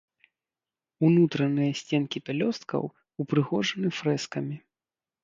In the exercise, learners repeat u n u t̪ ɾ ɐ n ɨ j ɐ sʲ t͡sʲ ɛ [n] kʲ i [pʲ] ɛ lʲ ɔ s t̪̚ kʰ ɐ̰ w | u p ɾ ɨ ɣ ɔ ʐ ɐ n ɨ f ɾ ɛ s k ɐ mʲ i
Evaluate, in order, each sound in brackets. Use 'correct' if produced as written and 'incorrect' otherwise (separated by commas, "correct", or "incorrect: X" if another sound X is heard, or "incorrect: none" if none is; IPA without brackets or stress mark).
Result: correct, correct